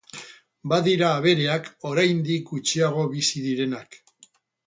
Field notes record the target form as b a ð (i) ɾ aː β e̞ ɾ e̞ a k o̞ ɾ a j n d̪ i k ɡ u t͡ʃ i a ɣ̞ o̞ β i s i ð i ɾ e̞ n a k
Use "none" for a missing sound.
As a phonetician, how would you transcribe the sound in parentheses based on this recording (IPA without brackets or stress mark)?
i